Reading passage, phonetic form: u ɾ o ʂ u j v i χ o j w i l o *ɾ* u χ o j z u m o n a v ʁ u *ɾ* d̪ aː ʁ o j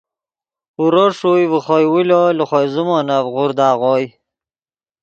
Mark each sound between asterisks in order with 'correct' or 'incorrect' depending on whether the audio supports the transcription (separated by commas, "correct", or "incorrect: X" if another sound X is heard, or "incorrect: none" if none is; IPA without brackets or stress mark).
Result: incorrect: l, correct